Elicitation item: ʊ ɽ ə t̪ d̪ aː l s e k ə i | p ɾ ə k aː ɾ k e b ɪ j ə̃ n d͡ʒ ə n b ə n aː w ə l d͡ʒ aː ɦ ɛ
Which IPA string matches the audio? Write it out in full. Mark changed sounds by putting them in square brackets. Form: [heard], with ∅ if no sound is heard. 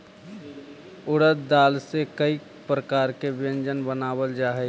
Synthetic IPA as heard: ʊ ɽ ə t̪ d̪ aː l s e k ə i | p ɾ ə k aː ɾ k e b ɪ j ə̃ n d͡ʒ ə n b ə n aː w ə l d͡ʒ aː ɦ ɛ